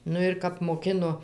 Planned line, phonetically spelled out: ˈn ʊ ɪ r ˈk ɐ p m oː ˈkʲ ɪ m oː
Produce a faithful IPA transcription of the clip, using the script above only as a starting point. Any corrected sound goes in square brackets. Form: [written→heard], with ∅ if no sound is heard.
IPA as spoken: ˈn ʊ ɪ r ˈk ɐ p m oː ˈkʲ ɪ [m→n] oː